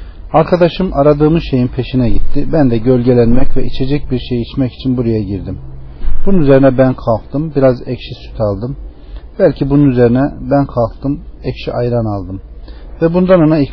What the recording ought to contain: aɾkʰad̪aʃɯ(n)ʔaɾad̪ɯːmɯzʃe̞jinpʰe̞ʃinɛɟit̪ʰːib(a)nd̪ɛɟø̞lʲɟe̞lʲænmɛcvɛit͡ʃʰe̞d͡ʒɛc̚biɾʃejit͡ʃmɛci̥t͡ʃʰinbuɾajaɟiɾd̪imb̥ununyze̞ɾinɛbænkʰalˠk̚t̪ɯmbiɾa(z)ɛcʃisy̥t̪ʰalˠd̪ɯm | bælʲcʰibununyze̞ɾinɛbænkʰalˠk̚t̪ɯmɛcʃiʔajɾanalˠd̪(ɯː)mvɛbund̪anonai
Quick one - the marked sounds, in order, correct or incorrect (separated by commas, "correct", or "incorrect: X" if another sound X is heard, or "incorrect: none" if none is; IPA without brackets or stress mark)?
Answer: incorrect: m, incorrect: æ, correct, incorrect: ɯ